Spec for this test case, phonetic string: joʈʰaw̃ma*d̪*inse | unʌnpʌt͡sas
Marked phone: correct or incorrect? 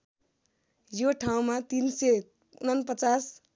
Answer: incorrect: t̪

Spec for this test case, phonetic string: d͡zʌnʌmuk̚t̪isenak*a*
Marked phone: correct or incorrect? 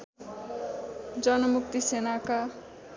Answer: correct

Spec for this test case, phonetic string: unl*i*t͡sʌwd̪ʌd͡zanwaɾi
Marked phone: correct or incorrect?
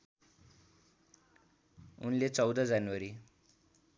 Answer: incorrect: e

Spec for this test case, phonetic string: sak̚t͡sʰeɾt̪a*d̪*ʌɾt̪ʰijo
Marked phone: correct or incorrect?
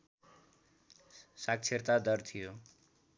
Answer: correct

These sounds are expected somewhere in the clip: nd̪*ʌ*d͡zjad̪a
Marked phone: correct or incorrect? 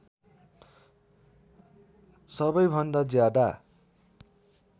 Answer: incorrect: a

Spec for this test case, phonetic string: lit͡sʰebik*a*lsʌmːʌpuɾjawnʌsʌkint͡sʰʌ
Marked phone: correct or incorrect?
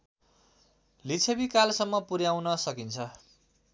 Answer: correct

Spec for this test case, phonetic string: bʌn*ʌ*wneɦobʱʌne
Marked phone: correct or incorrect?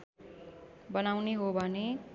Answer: incorrect: a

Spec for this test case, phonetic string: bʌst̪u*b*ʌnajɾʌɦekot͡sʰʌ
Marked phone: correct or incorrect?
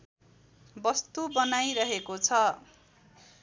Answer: correct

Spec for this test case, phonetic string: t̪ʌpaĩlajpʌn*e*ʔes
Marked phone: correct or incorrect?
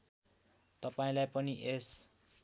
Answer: incorrect: i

